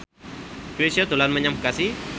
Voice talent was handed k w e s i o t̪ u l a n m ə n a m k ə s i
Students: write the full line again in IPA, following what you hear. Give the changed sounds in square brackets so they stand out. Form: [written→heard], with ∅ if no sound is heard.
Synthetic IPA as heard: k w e s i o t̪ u l a n m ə [n→ɲ] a m k [ə→a] s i